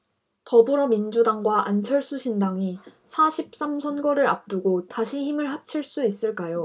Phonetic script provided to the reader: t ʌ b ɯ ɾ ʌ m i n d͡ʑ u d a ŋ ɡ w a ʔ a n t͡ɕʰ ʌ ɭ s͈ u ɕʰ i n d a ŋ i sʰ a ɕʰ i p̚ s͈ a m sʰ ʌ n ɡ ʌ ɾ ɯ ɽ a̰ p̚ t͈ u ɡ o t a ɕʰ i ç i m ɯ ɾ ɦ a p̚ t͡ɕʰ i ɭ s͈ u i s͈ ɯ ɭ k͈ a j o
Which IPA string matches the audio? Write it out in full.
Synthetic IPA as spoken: t ʌ b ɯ ɾ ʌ m i n d͡ʑ u d a ŋ ɡ w a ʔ a n t͡ɕʰ ʌ ɭ s͈ u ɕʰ i n d a ŋ i sʰ a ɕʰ i p̚ s͈ a m sʰ ʌ n ɡ ʌ ɾ ɯ ɾ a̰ p̚ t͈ u ɡ o t a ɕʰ i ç i m ɯ ɭ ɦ a p̚ t͡ɕʰ i ɭ s͈ u i s͈ ɯ ɭ k͈ a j o

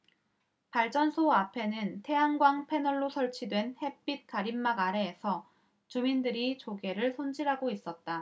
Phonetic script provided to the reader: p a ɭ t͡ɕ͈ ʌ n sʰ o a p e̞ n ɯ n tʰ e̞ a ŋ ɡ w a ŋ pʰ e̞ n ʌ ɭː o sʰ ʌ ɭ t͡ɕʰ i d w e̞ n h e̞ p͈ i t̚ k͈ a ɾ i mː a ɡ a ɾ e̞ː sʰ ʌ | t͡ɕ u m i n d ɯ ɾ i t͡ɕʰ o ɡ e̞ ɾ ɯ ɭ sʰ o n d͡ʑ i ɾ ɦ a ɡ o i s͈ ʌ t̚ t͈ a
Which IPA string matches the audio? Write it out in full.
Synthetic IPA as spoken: p a ɭ t͡ɕ͈ ʌ n sʰ o a pʰ e̞ n ɯ n tʰ e̞ a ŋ ɡ w a ŋ pʰ e̞ n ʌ ɭː o sʰ ʌ ɭ t͡ɕʰ i d w e̞ n h e̞ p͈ i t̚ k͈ a ɾ i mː a ɡ a ɾ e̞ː sʰ ʌ | t͡ɕ u m i n d ɯ ɾ i t͡ɕ o ɡ e̞ ɾ ɯ ɭ sʰ o n d͡ʑ i ɾ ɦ a ɡ o i s͈ ʌ t̚ t͈ a

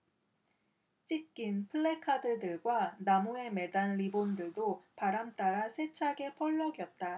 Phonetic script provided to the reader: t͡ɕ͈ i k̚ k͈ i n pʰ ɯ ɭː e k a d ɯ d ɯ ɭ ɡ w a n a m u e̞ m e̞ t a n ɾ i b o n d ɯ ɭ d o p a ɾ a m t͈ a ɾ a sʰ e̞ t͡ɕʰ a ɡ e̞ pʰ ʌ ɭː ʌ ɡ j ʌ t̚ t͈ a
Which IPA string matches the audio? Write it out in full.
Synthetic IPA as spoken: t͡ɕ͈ i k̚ k͈ i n pʰ ɯ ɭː e kʰ a d ɯ d ɯ ɭ ɡ w a n a m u e̞ m e̞ d a n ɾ i b o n d ɯ ɭ d o p a ɾ a m t͈ a ɾ a sʰ e̞ t͡ɕʰ a ɡ e̞ pʰ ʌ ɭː ʌ ɡ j ʌ t̚ t͈ a

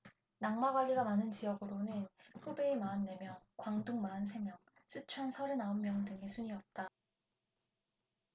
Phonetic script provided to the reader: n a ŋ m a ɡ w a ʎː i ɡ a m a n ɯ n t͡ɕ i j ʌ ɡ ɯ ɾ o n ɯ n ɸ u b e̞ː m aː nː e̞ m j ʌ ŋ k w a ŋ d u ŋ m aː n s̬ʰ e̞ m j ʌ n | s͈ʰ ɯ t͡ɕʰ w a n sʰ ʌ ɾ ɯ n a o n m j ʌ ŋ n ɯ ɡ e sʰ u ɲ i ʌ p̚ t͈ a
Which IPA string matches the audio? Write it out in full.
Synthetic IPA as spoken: n a ŋ m a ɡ w a ʎː i ɡ a m a n ɯ n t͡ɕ i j ʌ ɡ ɯ ɾ o n ɯ n ɸ u b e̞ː m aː nː e̞ m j ʌ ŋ k w a ŋ d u ŋ m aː n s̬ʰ e̞ m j ʌ ŋ | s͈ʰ ɯ t͡ɕʰ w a n sʰ ʌ ɾ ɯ n a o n m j ʌ ŋ d ɯ ŋ e sʰ u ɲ i ʌ p̚ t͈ a

